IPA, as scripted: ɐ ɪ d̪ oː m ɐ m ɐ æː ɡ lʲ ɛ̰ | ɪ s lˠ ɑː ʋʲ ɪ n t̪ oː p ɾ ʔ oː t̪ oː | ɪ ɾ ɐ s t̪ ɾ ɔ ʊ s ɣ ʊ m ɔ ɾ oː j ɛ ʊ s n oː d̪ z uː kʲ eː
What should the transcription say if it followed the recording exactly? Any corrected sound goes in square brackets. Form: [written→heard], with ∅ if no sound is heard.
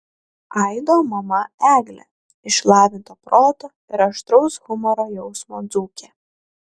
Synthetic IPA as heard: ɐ ɪ d̪ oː m ɐ m ɐ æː ɡ lʲ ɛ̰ | ɪ [s→ʃ] lˠ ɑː ʋʲ ɪ n t̪ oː p ɾ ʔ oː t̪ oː | ɪ ɾ ɐ [s→ʃ] t̪ ɾ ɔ ʊ s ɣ ʊ m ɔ ɾ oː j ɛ ʊ s [n→m] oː d̪ z uː kʲ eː